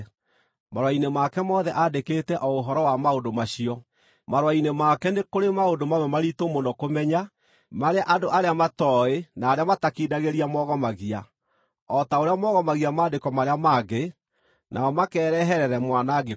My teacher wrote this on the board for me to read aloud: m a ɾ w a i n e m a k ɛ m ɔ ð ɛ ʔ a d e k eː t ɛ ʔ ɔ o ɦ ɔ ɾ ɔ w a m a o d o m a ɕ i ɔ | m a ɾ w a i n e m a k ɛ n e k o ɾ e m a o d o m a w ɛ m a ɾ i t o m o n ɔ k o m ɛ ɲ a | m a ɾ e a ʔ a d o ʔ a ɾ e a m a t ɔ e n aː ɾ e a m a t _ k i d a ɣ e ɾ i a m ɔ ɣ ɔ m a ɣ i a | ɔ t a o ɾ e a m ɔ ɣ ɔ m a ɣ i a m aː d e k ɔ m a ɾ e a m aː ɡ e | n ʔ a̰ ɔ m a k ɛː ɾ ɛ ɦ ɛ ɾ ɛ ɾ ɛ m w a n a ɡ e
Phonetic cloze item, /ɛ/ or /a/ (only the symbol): a